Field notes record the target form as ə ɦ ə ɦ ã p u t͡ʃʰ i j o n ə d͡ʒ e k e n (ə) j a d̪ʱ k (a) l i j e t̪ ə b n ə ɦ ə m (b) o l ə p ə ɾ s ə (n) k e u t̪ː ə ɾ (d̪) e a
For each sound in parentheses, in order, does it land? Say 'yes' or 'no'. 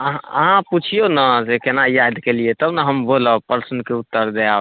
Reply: no, no, yes, yes, yes

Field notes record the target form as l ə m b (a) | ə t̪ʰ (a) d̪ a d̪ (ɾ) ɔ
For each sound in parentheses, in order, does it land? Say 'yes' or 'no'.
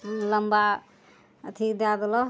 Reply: yes, no, no

